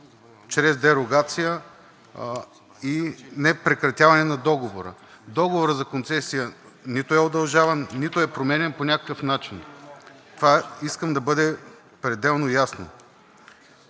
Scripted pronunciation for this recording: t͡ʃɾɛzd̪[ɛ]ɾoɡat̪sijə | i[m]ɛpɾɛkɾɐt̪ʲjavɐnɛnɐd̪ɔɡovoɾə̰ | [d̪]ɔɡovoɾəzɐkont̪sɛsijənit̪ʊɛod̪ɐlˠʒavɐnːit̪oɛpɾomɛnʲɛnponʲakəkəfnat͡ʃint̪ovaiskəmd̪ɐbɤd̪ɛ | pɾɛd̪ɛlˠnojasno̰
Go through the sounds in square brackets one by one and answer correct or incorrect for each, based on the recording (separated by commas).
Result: correct, incorrect, correct